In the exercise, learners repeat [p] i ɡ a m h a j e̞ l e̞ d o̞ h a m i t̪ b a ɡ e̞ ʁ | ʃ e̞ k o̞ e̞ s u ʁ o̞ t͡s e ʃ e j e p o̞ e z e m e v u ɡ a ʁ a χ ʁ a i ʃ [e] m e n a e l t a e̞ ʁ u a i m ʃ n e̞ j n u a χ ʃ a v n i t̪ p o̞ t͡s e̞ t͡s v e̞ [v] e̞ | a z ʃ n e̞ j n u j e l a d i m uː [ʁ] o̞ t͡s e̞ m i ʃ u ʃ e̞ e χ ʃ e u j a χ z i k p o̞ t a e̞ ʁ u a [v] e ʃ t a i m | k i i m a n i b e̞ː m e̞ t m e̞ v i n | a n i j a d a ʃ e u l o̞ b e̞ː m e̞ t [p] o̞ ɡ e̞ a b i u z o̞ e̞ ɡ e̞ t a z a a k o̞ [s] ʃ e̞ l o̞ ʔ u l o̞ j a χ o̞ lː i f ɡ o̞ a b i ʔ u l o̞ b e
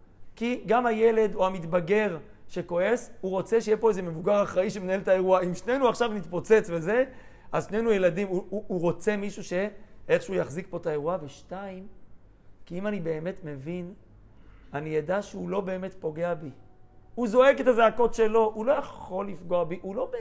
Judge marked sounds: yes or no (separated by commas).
no, yes, no, yes, yes, yes, no